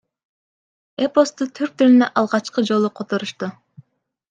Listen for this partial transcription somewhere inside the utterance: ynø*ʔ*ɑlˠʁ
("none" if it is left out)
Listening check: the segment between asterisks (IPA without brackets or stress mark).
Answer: ʔ